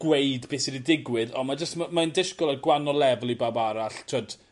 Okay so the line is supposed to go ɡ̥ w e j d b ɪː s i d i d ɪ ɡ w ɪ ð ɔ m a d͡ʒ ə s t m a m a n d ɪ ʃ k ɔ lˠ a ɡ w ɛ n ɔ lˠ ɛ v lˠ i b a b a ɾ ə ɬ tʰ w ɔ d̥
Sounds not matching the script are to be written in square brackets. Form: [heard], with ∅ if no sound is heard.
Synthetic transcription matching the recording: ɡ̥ w e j d b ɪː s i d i d ɪ ɡ w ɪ ð ɔ m a d͡ʒ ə s t m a m a n d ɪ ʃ k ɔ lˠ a ɡ w [a] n ɔ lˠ ɛ v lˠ i b a b a ɾ [a] ɬ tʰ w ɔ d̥